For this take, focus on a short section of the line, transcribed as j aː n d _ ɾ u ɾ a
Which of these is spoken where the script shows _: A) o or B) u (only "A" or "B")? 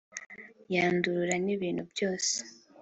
B